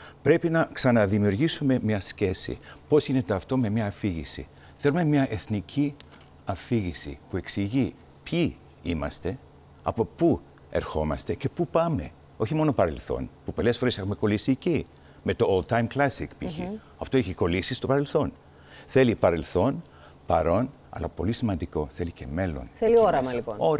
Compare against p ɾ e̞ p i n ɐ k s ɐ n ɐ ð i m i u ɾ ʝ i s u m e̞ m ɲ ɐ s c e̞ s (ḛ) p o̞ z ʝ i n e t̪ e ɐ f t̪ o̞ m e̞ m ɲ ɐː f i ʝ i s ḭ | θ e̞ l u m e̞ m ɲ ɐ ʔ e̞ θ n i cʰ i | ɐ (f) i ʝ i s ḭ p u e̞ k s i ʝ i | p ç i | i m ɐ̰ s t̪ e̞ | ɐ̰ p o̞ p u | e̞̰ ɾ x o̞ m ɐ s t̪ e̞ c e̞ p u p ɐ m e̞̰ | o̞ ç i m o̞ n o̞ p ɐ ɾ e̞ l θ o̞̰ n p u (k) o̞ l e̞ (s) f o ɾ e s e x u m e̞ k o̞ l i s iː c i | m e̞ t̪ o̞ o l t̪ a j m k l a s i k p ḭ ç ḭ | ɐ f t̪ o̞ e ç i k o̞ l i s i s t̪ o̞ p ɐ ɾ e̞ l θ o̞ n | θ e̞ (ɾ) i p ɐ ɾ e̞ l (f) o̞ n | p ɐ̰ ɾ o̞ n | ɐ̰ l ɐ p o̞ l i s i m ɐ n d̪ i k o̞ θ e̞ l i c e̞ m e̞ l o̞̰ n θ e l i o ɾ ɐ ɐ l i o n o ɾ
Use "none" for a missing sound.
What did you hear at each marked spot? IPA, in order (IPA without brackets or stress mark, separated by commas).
ḭ, f, p, s, l, θ